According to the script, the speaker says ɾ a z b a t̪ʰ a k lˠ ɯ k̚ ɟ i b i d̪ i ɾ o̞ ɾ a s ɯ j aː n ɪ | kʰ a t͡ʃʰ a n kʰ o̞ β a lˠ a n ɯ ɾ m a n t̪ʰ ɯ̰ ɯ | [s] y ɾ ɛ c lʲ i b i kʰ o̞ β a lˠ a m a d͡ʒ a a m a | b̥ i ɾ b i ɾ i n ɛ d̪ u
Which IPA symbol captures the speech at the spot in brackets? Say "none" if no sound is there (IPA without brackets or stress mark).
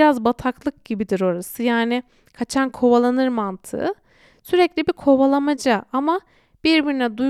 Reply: s